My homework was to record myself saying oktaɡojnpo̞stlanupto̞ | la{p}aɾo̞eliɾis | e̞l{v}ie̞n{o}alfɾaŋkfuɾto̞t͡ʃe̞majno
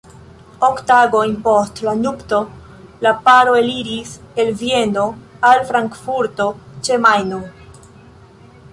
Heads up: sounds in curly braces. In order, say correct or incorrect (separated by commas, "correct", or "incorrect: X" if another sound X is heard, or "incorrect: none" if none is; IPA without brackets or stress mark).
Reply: correct, correct, correct